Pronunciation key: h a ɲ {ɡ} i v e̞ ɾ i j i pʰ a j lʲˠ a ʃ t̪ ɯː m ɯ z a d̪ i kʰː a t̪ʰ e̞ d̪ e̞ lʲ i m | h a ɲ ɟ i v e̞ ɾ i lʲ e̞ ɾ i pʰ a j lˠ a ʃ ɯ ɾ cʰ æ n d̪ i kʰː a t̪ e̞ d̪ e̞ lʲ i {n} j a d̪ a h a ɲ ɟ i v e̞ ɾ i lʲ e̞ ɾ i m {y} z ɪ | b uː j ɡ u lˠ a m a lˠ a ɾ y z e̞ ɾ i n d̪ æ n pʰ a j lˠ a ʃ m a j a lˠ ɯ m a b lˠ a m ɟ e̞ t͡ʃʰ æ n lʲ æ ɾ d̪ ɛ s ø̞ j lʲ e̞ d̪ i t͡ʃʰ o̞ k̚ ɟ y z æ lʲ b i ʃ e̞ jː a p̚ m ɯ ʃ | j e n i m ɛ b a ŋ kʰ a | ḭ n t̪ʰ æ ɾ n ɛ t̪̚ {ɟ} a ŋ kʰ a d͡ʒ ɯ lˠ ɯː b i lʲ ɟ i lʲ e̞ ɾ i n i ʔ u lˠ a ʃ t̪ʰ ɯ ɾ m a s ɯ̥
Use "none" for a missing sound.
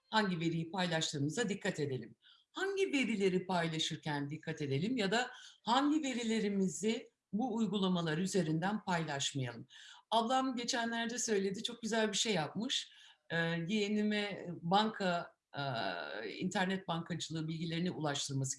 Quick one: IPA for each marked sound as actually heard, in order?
ɟ, m, i, b

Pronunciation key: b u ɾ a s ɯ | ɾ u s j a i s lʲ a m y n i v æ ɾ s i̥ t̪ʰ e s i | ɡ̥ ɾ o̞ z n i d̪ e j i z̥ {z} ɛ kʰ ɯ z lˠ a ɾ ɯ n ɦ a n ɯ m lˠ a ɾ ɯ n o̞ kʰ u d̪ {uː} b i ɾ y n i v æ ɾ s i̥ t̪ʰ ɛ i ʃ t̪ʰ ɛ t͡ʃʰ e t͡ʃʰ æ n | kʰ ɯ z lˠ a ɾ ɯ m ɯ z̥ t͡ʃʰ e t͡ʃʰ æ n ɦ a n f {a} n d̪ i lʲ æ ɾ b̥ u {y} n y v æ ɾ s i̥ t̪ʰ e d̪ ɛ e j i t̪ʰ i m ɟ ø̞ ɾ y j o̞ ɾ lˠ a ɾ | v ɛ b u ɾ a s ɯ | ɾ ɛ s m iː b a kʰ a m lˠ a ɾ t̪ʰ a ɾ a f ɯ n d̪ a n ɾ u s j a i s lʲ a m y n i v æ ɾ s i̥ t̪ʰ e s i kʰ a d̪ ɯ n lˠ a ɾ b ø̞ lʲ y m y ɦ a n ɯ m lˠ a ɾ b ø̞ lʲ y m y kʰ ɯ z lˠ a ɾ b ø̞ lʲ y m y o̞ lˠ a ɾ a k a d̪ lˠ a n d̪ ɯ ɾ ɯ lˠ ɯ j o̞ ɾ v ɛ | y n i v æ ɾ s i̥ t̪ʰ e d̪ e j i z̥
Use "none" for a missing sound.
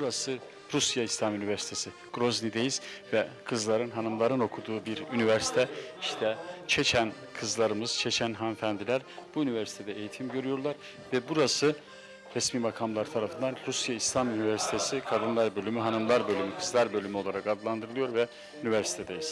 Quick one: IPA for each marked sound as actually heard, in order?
v, uː, æ, y

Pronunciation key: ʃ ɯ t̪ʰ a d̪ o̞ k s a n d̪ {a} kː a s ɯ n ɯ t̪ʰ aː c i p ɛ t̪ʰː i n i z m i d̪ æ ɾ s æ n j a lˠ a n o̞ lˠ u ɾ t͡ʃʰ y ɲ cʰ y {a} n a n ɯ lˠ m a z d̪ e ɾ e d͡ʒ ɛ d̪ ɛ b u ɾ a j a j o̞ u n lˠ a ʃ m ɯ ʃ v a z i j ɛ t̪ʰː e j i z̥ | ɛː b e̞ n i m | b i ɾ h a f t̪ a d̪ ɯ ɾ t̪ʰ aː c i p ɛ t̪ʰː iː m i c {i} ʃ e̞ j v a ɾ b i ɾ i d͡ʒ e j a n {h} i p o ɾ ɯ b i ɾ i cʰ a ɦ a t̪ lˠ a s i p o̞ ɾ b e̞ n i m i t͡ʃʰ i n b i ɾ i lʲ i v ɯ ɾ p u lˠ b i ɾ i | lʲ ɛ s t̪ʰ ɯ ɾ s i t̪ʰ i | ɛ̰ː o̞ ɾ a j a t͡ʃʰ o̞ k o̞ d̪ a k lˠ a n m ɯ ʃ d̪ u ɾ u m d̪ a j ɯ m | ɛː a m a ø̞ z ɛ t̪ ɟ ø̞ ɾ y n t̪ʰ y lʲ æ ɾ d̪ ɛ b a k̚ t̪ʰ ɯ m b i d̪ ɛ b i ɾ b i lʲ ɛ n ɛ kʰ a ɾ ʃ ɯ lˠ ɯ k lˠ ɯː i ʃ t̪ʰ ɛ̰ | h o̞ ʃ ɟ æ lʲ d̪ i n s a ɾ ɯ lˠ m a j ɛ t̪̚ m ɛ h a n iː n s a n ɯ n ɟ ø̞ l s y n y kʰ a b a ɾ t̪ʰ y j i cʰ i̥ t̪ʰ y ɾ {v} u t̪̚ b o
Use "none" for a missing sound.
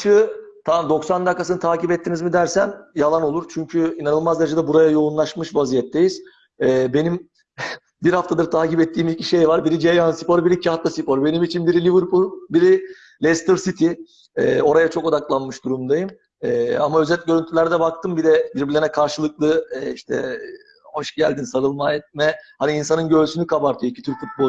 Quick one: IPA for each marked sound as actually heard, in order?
a, i, i, s, f

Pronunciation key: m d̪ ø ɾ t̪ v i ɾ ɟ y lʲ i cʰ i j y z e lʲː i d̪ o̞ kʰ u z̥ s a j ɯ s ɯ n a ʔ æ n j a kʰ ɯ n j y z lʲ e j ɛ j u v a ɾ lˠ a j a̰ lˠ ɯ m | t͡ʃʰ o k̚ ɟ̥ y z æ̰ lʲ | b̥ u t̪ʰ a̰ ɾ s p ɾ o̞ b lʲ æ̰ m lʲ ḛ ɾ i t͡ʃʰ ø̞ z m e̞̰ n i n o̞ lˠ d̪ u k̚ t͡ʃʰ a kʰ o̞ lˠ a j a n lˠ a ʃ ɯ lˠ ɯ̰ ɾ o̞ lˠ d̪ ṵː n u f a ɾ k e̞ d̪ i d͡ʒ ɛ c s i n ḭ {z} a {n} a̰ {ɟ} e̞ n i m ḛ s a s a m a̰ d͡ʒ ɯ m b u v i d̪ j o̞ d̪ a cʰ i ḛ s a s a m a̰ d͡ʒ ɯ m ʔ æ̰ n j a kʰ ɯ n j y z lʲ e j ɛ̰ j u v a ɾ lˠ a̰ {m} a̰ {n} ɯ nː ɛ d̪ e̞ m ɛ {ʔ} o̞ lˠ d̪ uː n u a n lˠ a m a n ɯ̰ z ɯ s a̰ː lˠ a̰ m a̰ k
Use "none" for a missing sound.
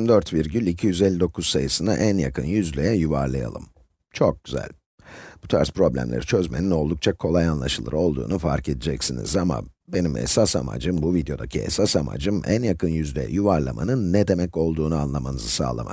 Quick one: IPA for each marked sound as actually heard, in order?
z, m, b, m, n, c

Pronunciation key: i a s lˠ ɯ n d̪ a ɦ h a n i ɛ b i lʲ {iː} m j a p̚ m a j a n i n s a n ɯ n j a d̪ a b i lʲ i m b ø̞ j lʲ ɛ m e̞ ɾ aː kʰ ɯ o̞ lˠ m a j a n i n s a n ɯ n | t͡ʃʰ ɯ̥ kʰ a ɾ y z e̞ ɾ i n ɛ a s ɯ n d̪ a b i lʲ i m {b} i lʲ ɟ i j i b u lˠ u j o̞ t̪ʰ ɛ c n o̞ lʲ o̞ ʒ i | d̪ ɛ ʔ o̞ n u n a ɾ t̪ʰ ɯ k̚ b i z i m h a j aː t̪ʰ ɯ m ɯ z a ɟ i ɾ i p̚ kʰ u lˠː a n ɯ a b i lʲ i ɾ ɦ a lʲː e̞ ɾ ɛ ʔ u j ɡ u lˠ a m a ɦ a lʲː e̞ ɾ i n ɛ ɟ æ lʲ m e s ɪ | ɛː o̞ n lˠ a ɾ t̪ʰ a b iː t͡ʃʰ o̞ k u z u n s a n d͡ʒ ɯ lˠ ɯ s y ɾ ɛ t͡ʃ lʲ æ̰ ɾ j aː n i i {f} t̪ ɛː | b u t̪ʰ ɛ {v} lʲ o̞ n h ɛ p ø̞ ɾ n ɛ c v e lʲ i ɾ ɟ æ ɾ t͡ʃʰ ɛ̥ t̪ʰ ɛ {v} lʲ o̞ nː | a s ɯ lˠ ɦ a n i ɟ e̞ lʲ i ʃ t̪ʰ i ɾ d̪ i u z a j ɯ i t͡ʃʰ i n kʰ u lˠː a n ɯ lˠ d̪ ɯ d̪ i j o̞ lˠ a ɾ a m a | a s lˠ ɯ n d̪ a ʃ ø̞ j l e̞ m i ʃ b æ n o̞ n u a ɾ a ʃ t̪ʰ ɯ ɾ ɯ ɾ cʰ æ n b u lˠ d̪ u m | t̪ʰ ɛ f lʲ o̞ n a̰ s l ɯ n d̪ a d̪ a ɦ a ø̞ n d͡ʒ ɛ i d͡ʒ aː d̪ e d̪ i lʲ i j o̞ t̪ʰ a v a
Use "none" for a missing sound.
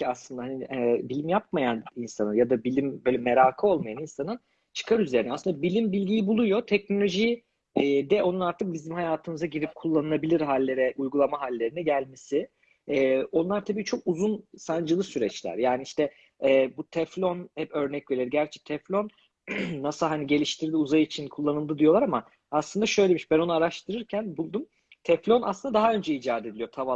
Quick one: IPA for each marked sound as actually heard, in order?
i, b, ʃ, f, f

